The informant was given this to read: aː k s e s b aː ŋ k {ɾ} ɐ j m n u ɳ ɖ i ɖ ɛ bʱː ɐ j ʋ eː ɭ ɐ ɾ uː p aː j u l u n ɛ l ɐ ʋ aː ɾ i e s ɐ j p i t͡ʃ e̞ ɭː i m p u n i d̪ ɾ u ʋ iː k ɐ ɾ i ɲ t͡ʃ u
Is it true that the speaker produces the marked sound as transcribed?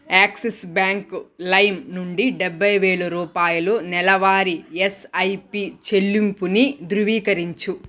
no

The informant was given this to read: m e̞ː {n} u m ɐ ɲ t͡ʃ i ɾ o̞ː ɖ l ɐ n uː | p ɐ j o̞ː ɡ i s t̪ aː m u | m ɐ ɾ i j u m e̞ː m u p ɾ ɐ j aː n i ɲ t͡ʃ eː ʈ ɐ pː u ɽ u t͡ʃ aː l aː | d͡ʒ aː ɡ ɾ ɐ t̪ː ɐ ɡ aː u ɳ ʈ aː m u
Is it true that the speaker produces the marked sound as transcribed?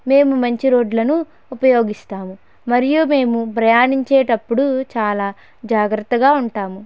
no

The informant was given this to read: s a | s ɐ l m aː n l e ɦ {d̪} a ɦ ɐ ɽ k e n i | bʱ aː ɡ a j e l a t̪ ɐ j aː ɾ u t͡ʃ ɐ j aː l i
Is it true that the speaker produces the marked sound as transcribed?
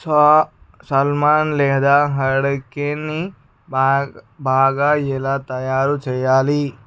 yes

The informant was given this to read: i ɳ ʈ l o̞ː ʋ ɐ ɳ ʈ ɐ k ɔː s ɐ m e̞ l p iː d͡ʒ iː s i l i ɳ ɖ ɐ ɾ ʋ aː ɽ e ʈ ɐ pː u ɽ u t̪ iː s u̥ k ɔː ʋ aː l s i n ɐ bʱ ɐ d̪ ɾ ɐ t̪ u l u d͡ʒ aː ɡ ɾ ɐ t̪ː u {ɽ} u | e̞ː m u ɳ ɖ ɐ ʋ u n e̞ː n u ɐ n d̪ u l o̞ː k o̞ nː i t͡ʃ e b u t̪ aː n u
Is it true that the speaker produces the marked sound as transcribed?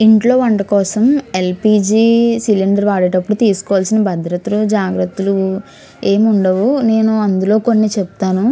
no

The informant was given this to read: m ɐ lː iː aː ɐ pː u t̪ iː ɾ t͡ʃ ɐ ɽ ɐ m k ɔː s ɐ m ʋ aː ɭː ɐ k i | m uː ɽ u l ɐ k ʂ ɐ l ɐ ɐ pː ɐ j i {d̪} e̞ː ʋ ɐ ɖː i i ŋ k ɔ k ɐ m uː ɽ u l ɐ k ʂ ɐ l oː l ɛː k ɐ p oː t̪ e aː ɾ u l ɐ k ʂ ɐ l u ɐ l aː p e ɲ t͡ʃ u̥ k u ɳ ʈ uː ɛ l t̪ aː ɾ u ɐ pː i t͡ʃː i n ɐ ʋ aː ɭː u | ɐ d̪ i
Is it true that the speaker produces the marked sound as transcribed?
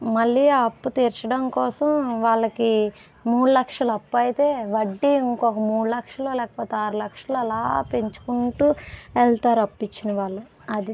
no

